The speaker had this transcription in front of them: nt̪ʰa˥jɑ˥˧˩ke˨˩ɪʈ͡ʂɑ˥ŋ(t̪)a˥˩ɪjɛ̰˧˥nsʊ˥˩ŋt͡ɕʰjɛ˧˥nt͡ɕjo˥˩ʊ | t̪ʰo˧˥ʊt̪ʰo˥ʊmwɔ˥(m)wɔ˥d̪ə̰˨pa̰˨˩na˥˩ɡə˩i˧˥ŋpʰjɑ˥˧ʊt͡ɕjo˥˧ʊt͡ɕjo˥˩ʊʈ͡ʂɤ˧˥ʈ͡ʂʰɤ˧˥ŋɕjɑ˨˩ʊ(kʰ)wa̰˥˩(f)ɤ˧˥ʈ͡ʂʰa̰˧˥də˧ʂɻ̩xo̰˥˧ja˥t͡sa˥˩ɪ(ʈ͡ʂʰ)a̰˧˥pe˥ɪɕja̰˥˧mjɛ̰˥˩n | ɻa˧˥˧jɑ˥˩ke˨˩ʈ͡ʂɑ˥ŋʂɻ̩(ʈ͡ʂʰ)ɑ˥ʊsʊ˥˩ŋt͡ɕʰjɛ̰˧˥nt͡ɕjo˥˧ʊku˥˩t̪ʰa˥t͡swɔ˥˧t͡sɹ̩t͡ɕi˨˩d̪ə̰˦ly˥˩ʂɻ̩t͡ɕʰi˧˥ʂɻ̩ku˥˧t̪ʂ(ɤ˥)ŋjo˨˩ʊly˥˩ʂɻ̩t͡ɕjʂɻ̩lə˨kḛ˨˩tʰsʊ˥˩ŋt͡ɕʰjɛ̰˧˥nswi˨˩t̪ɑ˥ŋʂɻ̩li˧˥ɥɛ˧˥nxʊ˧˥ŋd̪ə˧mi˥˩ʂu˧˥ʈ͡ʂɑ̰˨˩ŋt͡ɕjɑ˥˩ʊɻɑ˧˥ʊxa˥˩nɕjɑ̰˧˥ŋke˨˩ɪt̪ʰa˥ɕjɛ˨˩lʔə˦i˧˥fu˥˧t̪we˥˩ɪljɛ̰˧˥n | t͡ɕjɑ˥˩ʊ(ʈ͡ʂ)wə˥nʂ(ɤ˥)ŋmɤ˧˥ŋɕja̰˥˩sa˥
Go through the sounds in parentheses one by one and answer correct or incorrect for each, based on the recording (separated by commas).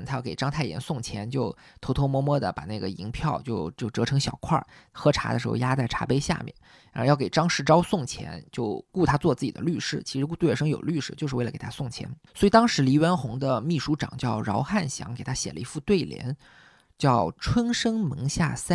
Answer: incorrect, correct, correct, incorrect, correct, incorrect, correct, incorrect, correct